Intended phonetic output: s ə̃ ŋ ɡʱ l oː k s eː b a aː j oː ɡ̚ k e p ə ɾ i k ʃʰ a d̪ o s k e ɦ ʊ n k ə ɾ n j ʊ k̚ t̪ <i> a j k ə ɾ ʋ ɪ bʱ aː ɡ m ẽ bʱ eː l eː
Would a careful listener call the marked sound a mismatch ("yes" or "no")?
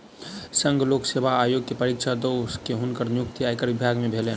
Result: no